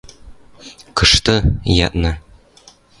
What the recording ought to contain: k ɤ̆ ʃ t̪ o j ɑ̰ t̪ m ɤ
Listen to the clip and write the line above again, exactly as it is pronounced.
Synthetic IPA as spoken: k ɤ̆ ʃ t̪ ɤ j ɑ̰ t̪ n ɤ